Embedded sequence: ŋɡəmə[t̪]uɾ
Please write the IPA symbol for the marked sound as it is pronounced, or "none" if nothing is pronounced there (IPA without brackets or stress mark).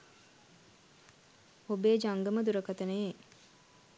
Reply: d̪